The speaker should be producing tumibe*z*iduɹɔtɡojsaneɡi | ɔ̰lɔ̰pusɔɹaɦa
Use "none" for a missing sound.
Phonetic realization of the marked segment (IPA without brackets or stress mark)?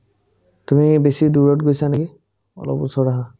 s